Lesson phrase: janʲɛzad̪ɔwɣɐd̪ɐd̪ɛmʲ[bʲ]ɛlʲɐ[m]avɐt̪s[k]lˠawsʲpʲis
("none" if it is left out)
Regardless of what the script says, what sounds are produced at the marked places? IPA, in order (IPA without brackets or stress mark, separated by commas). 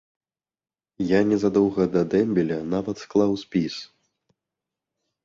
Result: bʲ, n, k